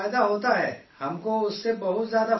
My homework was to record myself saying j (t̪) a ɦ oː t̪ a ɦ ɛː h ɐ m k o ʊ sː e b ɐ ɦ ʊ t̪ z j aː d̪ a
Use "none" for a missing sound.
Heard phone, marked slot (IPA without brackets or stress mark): d̪